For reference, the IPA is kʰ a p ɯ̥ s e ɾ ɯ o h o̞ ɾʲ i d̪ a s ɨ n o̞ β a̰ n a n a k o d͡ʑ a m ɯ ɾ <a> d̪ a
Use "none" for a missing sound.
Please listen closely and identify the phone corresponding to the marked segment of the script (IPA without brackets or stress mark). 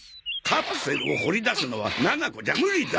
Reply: i